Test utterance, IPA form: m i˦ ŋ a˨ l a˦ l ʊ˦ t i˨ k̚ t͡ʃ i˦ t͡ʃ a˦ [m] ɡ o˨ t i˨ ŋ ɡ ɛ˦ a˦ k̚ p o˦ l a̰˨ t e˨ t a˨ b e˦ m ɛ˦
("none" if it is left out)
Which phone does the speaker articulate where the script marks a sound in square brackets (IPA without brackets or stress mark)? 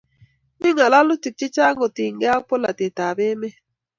ŋ